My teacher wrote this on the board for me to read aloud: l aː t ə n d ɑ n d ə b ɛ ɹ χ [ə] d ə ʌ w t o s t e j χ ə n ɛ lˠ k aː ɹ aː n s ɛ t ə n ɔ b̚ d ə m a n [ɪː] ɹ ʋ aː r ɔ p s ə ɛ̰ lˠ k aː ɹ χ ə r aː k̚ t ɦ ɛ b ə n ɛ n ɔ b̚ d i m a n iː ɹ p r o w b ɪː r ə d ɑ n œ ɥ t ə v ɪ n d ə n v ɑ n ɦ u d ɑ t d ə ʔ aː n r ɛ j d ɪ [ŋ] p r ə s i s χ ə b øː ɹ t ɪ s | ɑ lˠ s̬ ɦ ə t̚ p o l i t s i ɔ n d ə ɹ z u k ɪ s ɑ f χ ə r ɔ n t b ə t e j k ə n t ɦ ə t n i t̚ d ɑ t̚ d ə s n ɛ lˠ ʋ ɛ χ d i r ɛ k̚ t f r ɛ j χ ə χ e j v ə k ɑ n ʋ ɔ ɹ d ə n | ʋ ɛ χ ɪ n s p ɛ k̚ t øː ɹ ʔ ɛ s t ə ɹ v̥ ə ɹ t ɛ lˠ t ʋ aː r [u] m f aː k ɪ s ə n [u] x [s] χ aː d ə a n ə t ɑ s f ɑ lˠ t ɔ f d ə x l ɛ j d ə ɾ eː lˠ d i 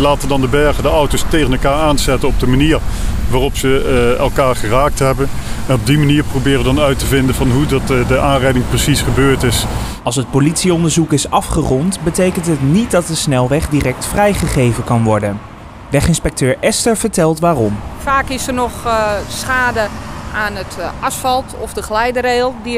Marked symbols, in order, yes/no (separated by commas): yes, no, yes, no, no, yes